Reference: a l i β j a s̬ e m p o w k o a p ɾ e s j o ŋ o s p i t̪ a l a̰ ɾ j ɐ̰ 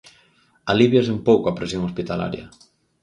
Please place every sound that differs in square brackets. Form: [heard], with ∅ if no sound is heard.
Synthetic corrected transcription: a l i β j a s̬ e m p o w k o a p ɾ e s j o ŋ o s p i t̪ a l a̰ ɾ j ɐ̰